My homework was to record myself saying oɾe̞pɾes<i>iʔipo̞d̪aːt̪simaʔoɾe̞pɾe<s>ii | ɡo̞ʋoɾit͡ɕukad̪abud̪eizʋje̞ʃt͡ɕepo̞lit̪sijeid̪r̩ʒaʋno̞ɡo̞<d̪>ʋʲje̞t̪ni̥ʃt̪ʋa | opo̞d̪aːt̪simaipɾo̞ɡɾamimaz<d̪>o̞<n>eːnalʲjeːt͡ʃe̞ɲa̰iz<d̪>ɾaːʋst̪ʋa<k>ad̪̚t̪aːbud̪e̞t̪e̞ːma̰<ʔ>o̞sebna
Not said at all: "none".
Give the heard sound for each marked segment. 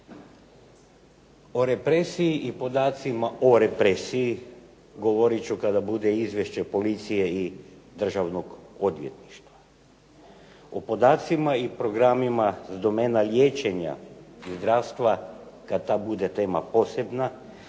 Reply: i, s, d̪, d̪, m, d̪, k, p

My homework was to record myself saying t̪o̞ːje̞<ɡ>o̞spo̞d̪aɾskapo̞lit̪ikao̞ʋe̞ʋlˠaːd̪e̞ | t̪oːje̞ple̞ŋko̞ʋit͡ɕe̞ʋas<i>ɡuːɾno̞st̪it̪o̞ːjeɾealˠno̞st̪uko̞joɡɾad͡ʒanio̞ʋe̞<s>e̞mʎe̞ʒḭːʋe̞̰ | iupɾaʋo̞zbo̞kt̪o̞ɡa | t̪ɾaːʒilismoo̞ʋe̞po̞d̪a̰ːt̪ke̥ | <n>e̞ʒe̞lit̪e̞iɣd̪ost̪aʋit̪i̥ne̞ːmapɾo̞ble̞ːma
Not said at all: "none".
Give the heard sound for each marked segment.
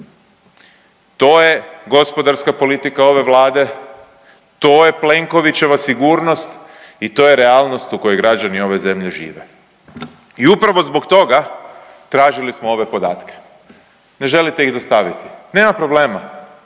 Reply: ɡ, i, z, n

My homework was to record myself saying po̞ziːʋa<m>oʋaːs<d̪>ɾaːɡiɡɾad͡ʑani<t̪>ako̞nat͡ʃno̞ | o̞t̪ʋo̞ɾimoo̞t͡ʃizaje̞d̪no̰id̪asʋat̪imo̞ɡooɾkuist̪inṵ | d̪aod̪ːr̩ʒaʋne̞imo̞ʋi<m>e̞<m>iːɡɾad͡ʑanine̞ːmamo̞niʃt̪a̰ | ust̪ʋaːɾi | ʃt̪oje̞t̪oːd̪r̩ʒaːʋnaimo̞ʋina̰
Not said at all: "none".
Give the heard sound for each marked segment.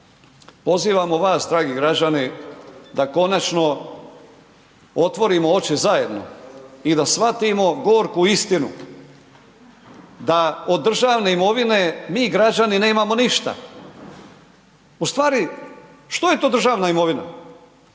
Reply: m, d̪, d̪, n, m

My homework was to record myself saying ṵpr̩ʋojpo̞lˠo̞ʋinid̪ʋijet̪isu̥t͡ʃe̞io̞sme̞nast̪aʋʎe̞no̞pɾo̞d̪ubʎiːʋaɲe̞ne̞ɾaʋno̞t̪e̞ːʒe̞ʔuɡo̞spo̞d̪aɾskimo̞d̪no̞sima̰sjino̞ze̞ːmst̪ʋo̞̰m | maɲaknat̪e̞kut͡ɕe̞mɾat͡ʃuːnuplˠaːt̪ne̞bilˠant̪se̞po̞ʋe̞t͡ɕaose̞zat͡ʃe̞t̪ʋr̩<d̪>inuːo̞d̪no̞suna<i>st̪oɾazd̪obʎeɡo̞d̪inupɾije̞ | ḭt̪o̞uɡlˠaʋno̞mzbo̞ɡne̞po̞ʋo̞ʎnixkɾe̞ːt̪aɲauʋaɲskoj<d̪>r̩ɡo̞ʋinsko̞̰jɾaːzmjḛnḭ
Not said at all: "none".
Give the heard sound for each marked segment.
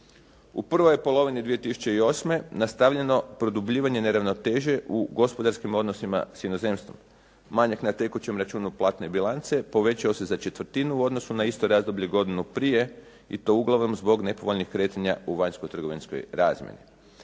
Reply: t̪, i, t̪

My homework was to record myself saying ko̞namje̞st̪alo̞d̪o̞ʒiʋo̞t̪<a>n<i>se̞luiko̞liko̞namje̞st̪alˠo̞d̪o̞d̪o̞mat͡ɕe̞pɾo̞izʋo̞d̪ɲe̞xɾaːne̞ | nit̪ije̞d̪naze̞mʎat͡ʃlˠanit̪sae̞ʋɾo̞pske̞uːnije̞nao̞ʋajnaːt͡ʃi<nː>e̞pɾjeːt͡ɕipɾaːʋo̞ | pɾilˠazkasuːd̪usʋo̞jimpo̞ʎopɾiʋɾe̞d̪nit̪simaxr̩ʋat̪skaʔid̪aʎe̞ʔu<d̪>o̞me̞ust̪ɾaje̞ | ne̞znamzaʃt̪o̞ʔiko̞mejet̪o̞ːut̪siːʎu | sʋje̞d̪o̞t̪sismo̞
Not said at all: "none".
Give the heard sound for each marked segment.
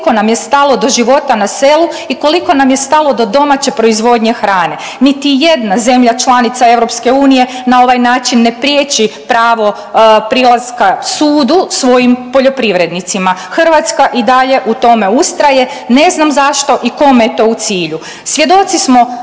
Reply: a, a, nː, t̪

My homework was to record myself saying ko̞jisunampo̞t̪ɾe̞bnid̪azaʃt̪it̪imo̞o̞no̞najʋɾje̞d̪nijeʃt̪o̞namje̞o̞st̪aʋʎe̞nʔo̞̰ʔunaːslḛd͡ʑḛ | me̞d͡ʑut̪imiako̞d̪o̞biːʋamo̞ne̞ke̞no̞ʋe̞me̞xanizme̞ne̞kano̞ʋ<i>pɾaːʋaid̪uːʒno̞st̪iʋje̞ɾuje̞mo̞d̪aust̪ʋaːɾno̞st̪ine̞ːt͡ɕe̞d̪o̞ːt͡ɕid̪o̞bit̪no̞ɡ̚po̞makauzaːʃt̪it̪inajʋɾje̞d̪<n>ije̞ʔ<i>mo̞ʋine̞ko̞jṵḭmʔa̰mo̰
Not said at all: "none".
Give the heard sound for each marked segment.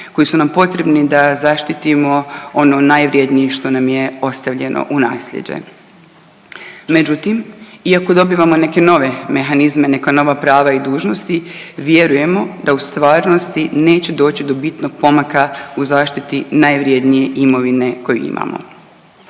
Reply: a, n, i

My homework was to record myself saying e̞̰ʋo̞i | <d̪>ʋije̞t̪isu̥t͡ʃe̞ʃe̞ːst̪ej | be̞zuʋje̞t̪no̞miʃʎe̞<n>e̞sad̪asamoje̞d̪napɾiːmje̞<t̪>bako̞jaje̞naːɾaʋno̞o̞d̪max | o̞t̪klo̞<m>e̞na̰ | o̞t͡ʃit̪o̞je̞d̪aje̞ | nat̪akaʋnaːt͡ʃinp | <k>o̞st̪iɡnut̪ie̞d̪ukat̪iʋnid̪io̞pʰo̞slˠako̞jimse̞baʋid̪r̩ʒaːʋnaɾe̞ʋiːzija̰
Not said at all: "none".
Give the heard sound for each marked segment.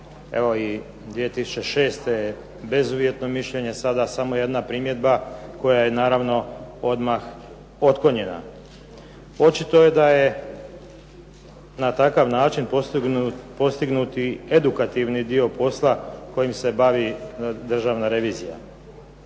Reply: d̪, ɲ, d̪, ɲ, p

